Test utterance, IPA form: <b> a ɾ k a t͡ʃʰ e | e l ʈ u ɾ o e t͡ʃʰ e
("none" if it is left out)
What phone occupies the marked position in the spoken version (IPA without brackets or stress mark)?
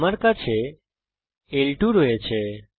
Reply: m